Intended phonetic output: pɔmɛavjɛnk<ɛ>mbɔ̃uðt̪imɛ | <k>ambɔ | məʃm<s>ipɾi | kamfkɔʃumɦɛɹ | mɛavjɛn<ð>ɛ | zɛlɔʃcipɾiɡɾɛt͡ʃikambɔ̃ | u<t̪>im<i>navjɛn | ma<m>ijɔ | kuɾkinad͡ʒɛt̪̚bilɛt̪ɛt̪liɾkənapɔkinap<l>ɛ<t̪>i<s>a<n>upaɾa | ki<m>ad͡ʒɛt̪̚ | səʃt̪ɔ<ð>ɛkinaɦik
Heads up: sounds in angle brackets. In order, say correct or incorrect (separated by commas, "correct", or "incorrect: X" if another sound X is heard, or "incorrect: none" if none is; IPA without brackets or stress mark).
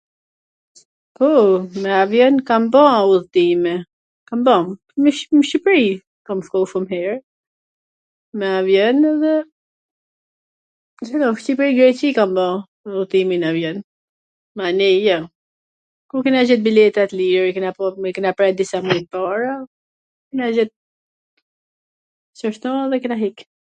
incorrect: a, correct, incorrect: ʃ, correct, correct, correct, incorrect: n, incorrect: ɾ, incorrect: d̪, correct, incorrect: m, incorrect: n, correct